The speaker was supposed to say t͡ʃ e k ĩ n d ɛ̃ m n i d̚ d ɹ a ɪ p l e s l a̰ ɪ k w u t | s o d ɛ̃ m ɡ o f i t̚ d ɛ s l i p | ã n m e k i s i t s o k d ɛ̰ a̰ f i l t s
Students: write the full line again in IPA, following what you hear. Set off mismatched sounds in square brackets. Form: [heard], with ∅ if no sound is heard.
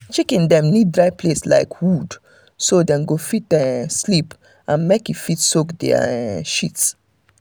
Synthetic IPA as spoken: t͡ʃ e k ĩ n d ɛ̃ m n i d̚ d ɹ a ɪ p l e s l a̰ ɪ k w u [d] | s o d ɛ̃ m ɡ o f i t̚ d ɛ s l i p | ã n m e k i [f] i t s o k d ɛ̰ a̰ [ʃ] i [∅] t s